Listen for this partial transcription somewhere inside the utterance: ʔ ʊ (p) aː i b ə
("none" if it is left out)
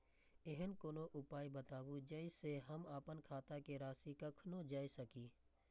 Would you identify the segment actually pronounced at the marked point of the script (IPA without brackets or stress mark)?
p